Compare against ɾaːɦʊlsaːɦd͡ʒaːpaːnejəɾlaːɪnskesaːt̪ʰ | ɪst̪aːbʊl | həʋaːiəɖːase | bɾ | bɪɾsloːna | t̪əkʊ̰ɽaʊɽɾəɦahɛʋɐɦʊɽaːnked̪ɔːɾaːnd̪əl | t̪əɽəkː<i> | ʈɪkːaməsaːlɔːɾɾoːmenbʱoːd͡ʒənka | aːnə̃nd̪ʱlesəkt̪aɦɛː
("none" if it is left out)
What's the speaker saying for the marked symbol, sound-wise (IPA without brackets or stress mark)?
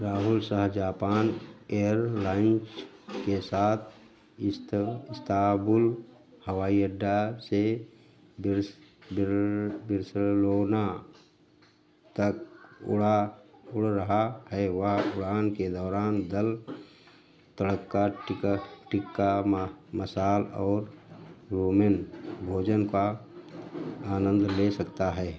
a